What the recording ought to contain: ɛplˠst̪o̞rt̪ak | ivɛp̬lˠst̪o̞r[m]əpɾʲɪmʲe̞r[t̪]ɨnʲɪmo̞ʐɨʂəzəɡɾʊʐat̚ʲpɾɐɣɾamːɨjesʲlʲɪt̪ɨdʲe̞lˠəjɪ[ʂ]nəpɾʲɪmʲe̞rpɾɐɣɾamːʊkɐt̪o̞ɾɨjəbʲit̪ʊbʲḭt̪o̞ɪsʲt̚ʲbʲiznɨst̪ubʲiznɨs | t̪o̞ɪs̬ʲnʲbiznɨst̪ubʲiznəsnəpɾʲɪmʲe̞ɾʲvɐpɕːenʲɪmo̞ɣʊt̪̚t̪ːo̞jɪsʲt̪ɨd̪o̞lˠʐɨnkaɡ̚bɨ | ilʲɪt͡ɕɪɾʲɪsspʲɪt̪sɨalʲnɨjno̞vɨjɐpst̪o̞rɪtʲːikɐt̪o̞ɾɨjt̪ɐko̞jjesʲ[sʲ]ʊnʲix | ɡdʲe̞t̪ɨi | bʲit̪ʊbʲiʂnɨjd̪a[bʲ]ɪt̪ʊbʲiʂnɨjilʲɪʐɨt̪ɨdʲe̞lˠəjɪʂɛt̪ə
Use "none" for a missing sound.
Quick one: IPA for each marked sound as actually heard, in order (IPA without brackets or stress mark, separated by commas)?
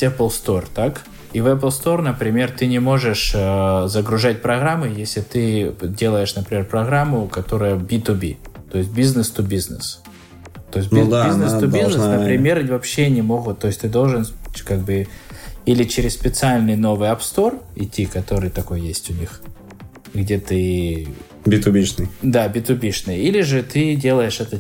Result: n, t̪, ʂ, tʲ, bʲ